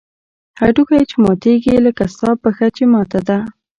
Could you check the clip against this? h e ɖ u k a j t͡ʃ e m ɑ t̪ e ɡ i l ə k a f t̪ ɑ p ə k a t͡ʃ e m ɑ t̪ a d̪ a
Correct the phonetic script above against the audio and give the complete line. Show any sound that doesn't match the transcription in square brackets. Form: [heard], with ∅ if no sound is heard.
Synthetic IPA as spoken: h [a] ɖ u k a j t͡ʃ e m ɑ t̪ e ɡ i l ə k a [s] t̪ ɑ p ə [x] a t͡ʃ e m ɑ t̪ a d̪ a